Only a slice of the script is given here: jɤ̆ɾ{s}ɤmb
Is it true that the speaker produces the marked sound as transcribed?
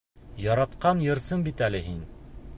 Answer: yes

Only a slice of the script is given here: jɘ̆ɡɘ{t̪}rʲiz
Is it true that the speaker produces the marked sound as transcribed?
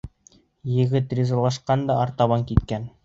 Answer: yes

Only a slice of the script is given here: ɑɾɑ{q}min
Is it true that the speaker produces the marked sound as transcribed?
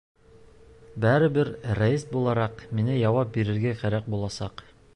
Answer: yes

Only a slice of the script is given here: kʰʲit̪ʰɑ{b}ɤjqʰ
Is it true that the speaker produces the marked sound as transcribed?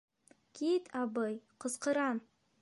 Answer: yes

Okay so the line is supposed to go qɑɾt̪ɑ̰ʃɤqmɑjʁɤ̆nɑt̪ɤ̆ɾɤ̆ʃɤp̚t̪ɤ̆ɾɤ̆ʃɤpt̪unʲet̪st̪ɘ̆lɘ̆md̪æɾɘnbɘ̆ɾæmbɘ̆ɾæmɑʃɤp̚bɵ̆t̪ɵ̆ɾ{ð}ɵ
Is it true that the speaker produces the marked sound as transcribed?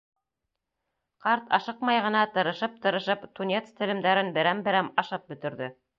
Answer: yes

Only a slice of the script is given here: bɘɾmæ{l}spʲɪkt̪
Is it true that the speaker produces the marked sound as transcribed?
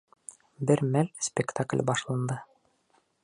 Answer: yes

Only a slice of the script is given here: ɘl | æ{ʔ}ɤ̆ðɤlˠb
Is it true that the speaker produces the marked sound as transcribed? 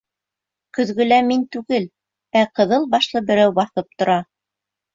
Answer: no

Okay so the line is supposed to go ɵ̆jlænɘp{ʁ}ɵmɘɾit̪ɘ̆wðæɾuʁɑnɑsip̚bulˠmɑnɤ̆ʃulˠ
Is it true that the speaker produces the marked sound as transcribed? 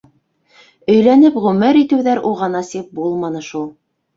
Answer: yes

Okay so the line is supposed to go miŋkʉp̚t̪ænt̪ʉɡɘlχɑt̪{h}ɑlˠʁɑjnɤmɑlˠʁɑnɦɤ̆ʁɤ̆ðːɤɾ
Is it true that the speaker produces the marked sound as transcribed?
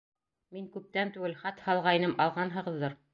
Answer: yes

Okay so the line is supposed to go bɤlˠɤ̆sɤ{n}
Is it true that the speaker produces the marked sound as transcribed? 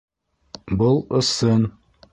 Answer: yes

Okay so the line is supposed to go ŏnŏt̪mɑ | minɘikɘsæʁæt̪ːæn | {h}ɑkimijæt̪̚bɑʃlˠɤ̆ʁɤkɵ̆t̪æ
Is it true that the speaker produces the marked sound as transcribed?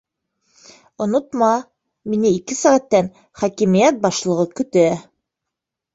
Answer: no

